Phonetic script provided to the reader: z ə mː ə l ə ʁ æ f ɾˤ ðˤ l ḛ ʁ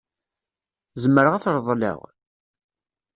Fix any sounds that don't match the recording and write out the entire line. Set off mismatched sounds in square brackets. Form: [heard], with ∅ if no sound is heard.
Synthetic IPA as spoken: z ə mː ə [ɾ] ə ʁ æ [θ] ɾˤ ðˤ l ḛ ʁ